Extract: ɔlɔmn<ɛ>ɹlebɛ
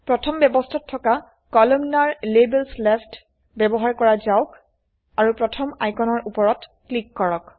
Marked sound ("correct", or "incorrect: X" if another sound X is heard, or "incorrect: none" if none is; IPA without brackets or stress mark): incorrect: a